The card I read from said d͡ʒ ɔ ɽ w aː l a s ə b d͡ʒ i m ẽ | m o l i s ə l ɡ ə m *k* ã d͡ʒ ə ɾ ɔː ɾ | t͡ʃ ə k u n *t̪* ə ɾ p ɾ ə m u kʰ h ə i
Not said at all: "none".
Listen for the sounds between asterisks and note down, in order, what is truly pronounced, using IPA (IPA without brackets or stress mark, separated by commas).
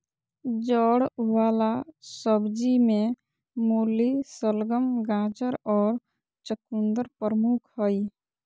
ɡ, d̪